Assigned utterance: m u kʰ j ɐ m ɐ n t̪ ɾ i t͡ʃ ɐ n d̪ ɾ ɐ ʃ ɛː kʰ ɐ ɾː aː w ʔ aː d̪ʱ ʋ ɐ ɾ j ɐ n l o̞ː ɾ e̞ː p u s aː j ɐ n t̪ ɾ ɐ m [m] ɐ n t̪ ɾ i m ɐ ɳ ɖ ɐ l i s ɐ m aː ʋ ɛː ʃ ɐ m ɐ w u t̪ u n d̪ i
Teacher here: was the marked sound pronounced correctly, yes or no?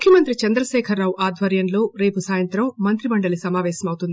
yes